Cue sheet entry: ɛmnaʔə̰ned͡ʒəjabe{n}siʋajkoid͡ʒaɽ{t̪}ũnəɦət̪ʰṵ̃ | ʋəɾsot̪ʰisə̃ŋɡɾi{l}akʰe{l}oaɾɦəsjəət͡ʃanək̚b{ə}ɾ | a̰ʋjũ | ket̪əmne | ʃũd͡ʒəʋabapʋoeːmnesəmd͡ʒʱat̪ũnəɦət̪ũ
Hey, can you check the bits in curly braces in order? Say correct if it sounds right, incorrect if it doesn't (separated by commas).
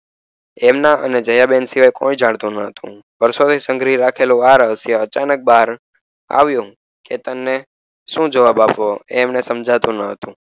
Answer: correct, correct, incorrect, correct, incorrect